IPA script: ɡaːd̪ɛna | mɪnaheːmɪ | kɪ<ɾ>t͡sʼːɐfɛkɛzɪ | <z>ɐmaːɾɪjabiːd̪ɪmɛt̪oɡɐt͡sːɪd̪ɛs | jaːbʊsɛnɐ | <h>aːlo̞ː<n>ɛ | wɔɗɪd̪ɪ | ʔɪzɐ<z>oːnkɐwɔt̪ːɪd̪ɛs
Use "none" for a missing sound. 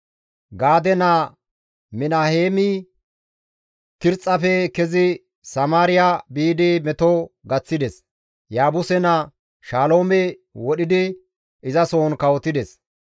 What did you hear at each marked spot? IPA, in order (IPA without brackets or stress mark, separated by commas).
ɾ, s, ʃ, m, s